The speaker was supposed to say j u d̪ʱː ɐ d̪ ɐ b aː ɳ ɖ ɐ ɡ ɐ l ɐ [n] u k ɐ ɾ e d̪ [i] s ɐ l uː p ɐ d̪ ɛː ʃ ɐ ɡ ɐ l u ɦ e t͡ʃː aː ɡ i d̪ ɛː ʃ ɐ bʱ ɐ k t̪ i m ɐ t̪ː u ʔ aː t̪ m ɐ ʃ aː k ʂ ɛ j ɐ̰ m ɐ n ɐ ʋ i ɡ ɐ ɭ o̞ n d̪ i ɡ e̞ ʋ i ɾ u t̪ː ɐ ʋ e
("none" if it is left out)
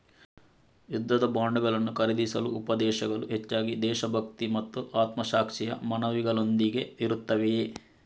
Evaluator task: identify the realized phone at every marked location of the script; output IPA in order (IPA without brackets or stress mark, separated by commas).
nː, i